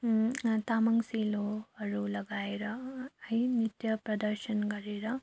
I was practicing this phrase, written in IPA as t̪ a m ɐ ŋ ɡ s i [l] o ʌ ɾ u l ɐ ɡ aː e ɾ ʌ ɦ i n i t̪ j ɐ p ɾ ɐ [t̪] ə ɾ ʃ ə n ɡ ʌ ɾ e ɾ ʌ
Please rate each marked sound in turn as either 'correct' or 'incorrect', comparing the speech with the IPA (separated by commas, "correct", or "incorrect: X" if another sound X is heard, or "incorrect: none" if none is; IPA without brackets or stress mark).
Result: correct, incorrect: d̪